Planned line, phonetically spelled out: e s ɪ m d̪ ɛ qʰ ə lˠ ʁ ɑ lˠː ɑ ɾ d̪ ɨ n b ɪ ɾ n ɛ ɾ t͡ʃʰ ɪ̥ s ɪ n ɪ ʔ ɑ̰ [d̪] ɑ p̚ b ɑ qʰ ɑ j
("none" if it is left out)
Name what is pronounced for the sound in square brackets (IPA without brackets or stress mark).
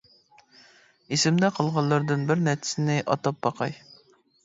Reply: t̪